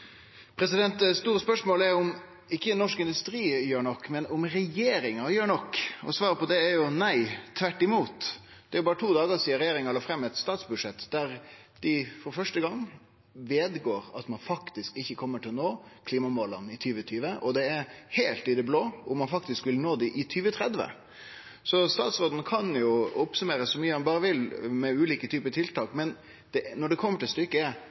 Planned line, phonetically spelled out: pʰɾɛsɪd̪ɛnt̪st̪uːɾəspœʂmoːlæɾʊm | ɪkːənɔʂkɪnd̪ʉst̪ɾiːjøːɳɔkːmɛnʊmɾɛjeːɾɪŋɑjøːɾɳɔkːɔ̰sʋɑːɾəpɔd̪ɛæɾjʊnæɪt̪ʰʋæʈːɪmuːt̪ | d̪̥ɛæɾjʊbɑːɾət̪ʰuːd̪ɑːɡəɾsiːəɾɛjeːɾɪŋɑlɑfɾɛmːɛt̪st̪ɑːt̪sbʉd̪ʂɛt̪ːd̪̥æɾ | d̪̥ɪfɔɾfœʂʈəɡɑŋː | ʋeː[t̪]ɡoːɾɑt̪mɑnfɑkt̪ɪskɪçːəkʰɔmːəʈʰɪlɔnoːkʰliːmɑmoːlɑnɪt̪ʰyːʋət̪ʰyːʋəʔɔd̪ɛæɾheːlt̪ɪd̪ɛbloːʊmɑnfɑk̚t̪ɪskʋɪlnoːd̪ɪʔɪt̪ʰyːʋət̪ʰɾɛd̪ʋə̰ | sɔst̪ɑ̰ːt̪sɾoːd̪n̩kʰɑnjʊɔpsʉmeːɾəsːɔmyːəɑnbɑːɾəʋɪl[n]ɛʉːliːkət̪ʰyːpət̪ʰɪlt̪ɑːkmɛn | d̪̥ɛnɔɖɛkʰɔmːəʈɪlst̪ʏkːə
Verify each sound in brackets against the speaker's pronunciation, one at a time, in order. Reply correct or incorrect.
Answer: incorrect: d̪, incorrect: m

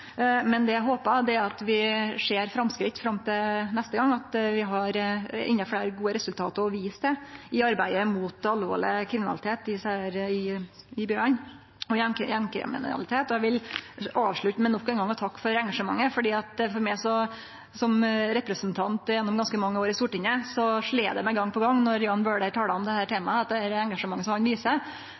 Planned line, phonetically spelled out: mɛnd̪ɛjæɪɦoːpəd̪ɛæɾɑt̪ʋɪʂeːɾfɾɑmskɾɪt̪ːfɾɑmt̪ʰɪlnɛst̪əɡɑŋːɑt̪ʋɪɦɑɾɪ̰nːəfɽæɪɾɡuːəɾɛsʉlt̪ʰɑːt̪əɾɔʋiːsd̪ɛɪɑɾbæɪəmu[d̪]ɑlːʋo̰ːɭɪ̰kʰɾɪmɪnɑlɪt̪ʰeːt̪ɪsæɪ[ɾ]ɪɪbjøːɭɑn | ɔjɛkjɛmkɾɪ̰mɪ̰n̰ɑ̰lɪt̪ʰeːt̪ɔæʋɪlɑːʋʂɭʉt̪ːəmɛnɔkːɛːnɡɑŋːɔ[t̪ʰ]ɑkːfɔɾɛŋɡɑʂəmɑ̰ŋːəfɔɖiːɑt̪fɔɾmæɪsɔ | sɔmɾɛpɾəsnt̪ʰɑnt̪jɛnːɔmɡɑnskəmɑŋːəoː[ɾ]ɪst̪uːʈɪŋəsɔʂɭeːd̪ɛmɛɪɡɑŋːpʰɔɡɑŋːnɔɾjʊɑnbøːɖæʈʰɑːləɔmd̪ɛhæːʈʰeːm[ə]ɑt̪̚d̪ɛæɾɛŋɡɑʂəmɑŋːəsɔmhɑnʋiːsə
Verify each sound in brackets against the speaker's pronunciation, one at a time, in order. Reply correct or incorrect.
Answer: incorrect: t̪, correct, correct, correct, incorrect: ɑ

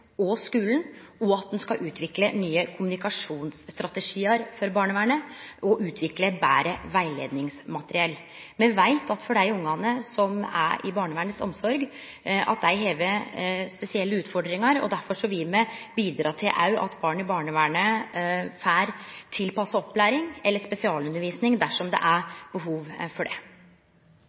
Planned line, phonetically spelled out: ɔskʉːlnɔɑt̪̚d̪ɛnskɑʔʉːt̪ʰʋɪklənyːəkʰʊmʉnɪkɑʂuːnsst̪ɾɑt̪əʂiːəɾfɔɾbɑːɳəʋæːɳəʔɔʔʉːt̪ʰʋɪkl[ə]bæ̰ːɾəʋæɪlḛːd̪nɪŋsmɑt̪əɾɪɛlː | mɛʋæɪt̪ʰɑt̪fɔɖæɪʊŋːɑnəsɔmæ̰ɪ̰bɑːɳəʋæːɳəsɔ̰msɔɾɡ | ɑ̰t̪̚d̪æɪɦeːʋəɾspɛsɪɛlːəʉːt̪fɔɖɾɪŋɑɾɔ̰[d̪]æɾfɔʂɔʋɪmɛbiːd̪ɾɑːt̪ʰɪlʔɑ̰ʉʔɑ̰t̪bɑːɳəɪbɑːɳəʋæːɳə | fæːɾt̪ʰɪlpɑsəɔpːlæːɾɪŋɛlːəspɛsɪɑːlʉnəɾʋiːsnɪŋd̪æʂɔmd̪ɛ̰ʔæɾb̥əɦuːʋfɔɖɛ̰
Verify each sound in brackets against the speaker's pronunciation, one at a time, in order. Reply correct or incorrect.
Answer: correct, correct

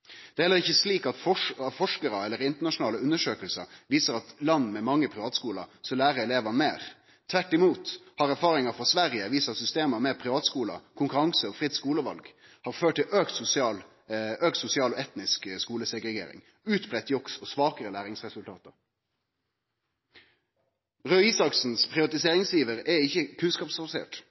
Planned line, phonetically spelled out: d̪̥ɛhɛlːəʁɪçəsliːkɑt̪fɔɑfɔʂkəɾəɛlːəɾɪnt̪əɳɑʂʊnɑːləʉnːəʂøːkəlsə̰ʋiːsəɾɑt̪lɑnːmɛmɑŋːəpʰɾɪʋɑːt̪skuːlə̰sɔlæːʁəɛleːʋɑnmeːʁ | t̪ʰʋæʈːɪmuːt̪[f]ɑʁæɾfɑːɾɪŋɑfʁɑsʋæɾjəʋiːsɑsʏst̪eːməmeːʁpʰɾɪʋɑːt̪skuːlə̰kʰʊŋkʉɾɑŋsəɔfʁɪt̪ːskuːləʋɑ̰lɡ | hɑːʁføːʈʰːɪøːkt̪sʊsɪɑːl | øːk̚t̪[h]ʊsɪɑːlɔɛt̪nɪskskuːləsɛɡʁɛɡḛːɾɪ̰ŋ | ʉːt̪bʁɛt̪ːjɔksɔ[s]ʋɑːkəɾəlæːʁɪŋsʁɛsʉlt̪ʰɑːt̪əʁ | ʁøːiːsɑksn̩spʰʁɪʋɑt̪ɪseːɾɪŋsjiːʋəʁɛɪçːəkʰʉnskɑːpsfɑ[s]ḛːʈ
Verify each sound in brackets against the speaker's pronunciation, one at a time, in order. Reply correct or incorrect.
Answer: incorrect: h, incorrect: s, correct, correct

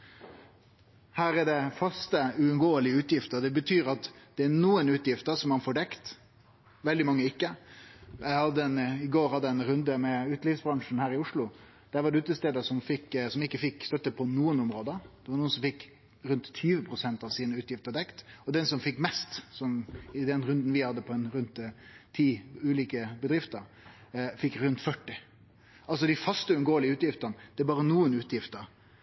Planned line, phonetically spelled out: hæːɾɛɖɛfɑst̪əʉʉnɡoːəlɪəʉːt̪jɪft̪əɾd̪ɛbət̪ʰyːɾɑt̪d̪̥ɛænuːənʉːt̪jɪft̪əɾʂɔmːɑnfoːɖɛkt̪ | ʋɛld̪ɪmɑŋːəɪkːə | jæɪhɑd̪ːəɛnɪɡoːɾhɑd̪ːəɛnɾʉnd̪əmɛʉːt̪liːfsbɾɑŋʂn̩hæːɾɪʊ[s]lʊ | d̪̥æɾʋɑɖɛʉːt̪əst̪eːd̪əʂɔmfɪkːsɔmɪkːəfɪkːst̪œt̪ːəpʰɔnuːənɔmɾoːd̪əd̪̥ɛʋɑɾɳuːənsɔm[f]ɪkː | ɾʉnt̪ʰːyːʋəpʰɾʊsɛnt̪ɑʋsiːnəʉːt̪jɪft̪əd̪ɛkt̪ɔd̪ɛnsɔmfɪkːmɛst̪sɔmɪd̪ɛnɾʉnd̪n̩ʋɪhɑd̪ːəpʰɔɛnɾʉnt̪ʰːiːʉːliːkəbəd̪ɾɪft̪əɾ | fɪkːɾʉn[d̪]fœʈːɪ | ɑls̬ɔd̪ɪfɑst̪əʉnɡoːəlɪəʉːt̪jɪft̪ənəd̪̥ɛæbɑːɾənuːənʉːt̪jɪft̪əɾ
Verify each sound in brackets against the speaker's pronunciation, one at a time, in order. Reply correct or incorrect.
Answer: incorrect: ʂ, correct, incorrect: t̪

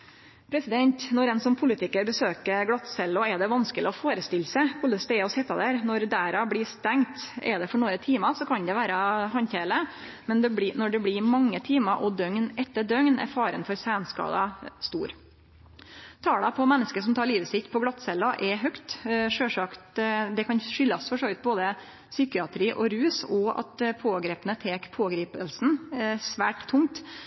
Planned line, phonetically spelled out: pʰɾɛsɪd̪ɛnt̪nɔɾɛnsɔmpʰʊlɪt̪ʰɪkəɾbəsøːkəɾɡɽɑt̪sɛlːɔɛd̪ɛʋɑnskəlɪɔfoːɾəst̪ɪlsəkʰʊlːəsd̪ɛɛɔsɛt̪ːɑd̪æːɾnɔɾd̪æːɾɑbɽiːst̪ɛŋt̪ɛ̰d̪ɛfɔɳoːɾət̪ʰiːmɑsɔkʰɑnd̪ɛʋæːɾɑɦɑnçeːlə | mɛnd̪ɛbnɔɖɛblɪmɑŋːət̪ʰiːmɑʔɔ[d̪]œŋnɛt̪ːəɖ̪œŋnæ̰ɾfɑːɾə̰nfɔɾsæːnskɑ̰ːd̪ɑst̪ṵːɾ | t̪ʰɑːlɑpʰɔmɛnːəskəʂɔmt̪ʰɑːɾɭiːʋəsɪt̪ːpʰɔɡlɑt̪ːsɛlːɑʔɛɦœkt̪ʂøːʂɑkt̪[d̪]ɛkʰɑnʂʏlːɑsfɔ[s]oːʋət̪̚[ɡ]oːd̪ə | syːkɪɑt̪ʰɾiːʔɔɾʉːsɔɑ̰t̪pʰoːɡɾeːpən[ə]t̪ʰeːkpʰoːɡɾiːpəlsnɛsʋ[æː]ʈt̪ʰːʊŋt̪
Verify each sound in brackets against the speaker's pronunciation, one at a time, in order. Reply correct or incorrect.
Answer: correct, correct, incorrect: ʂ, incorrect: b, correct, correct

